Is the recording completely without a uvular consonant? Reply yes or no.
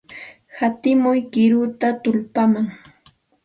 yes